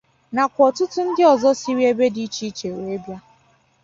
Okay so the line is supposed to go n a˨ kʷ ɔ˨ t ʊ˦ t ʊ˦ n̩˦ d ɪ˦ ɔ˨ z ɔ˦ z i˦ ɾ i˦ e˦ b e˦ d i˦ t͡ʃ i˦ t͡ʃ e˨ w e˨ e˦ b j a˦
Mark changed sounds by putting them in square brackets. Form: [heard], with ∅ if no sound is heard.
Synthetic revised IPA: n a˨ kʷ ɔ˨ t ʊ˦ t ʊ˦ n̩˦ d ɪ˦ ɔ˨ z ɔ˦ [s] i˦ ɾ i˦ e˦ b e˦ d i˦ t͡ʃ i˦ t͡ʃ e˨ w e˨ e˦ b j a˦